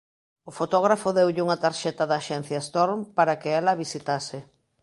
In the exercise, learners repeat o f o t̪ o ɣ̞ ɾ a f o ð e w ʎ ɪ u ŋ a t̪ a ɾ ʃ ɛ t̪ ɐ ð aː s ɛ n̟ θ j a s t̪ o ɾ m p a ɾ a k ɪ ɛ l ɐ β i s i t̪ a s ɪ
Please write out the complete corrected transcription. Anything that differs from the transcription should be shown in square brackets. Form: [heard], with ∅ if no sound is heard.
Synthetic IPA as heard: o f o t̪ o ɣ̞ ɾ a f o ð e w ʎ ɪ u ŋ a t̪ a ɾ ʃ ɛ t̪ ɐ ð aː [ʃ] ɛ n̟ θ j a s t̪ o ɾ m p a ɾ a k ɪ ɛ l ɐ β i s i t̪ a s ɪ